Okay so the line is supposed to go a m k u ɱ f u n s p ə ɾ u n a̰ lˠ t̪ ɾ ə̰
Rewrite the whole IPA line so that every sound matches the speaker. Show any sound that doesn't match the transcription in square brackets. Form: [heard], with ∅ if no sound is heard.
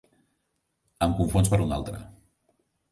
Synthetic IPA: [ə] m k u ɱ f [o] n s p ə ɾ u n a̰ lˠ t̪ ɾ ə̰